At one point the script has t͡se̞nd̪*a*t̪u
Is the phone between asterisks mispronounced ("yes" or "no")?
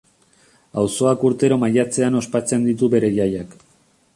yes